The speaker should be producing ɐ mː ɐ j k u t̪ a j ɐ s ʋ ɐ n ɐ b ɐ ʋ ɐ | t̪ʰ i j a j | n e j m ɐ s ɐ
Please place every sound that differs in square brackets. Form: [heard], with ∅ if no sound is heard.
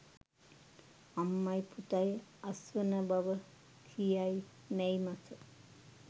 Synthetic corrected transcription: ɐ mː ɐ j [p] u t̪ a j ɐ s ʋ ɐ n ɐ b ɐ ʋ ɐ | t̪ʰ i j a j | n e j m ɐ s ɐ